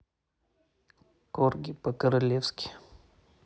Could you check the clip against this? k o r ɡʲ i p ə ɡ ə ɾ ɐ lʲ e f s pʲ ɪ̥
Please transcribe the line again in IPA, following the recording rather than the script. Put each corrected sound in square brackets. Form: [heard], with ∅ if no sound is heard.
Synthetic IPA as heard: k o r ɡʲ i p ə [k] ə ɾ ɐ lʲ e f s [kʲ] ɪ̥

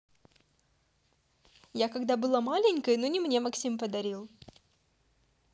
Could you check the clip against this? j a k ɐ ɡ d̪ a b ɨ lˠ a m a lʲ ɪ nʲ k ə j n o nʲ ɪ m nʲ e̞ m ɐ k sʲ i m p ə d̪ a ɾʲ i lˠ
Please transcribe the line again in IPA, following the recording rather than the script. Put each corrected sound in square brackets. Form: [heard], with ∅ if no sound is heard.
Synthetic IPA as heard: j a k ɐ ɡ d̪ a b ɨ lˠ a m a lʲ ɪ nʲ k ə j n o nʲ ɪ m nʲ e̞ m ɐ k sʲ i m p ə d̪ [ɐ] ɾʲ i lˠ

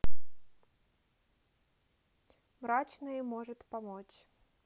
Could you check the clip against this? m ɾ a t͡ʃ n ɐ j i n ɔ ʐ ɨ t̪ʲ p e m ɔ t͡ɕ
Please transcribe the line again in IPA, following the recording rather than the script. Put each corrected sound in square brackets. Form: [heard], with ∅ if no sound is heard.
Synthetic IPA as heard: m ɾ a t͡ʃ n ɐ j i [m] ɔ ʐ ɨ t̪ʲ p [a] m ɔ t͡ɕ

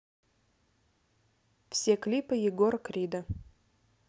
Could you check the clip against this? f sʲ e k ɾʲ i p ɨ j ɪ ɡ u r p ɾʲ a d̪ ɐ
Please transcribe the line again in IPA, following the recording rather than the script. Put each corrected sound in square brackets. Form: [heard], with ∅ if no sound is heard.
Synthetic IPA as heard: f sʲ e k [lʲ] i p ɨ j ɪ ɡ [o] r [k] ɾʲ [i] d̪ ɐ

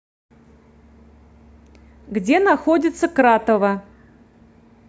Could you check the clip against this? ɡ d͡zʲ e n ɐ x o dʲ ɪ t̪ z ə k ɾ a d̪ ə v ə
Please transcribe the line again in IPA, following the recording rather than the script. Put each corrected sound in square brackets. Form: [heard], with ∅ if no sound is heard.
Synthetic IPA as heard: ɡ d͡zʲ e n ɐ x o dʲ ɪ t̪ [s] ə k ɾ a [t̪] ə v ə

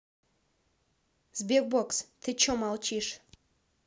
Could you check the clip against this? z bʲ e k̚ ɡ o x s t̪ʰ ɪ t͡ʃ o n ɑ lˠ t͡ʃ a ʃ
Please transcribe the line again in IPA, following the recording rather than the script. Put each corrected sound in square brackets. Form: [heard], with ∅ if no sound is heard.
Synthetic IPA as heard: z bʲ e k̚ [b] o [k] s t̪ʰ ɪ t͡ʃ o [m] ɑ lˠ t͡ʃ [i] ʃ

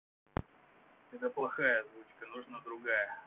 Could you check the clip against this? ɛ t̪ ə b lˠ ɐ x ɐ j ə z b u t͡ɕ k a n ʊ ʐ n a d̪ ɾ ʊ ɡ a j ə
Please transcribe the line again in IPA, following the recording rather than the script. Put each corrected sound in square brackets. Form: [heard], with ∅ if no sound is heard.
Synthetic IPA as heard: ɛ t̪ ə [p] lˠ ɐ x [a] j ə z [v] u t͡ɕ k [ə] n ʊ ʐ n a d̪ ɾ ʊ ɡ a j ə

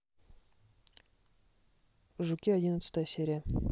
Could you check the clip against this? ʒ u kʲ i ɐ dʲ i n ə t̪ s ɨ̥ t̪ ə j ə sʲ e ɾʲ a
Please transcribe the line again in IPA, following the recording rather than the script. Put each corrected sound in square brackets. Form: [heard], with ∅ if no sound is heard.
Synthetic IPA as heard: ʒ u kʲ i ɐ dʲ i n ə t̪ s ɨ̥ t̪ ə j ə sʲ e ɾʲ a

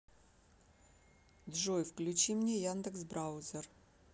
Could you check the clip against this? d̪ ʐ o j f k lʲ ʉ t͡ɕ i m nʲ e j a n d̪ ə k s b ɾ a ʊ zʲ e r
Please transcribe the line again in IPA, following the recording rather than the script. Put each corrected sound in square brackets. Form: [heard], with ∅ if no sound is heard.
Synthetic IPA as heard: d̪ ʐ o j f k lʲ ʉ t͡ɕ i m nʲ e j a n d̪ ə k s b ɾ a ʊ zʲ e r

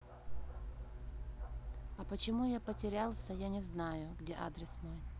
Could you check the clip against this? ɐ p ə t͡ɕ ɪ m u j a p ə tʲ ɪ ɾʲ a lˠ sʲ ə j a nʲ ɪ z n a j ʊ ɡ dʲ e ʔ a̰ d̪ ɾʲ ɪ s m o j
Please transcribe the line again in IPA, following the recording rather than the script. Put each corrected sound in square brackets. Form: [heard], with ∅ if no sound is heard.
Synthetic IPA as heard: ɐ p ə t͡ɕ ɪ m u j a p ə tʲ ɪ ɾʲ a lˠ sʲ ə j a nʲ ɪ z n a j ʊ ɡ dʲ e ʔ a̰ d̪ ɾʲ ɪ s m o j

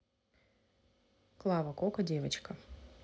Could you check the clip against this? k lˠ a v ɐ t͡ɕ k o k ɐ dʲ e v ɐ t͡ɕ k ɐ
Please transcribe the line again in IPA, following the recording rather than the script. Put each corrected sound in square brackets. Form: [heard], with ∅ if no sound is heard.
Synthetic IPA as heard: k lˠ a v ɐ [∅] k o k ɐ dʲ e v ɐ t͡ɕ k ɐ

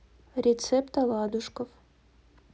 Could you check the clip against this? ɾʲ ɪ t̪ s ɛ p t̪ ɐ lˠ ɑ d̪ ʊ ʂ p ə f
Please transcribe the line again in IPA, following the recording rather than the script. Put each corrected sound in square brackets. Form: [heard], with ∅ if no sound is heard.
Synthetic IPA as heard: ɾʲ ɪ t̪ s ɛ p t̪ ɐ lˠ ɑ d̪ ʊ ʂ [k] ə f

